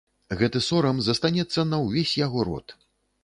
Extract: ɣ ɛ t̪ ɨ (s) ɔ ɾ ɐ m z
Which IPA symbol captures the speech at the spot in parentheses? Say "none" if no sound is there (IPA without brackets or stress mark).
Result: s